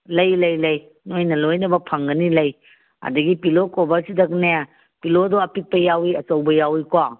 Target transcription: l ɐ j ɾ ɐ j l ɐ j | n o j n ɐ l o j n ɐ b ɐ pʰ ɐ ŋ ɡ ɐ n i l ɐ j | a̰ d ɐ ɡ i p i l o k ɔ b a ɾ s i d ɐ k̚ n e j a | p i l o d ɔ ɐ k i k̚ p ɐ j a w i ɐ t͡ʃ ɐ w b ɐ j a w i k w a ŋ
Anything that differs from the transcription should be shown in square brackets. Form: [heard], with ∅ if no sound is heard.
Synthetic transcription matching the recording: l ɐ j [l] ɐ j l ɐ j | n o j n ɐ l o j n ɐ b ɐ pʰ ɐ ŋ ɡ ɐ n i l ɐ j | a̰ d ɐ ɡ i p i l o k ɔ b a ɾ s i d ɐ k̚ n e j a | p i l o d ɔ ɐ [p] i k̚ p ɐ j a w i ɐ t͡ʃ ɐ w b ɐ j a w i k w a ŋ